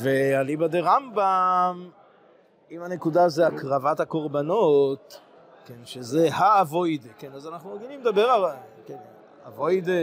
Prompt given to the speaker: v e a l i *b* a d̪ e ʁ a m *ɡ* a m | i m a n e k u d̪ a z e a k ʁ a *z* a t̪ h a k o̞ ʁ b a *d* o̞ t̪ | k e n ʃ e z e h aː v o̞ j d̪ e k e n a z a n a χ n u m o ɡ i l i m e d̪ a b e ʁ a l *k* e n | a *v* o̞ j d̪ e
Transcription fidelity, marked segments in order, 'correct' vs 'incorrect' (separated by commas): correct, incorrect, incorrect, incorrect, correct, correct